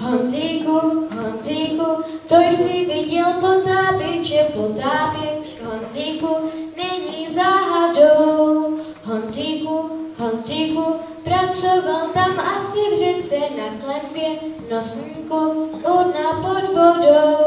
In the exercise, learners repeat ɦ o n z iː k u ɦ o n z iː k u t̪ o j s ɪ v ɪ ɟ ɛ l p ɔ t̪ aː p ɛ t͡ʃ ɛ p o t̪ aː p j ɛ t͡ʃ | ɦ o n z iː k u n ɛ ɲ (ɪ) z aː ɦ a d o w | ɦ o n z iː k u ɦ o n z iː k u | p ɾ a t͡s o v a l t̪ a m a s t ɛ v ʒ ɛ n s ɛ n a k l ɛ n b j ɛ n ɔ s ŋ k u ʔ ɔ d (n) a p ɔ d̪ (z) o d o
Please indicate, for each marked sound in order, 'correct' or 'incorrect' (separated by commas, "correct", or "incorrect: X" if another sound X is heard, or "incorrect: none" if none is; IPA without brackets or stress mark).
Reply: incorrect: i, correct, incorrect: v